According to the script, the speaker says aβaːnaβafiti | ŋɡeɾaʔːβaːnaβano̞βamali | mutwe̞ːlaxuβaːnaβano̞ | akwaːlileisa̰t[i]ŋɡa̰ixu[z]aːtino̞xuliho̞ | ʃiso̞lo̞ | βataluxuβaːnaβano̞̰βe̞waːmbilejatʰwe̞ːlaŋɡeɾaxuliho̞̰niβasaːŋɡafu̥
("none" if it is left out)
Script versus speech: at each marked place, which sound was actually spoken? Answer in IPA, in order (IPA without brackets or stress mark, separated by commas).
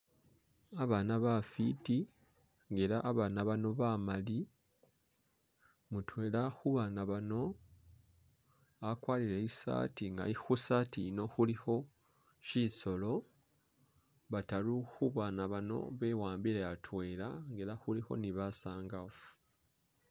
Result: i, s